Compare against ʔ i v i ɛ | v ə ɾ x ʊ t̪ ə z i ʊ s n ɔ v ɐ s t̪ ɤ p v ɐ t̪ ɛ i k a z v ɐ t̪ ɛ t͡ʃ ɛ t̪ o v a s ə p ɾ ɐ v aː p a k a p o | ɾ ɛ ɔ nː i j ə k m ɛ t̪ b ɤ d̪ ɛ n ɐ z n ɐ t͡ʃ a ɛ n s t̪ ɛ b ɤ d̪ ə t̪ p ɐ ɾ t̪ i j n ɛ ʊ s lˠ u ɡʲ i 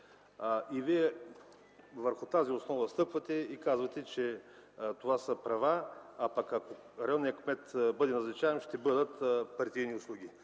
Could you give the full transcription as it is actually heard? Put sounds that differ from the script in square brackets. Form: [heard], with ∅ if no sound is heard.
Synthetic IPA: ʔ i v i ɛ | v ə ɾ x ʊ t̪ [a] z i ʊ s n ɔ v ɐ s t̪ ɤ p v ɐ t̪ ɛ i k a z v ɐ t̪ ɛ t͡ʃ ɛ t̪ o v a s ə p ɾ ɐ v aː p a k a [k] o | ɾ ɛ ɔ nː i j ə k m ɛ t̪ b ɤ d̪ ɛ n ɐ z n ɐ t͡ʃ a ɛ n [ʃ] t̪ ɛ b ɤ d̪ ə t̪ p ɐ ɾ t̪ i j n [i] ʊ s lˠ u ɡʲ i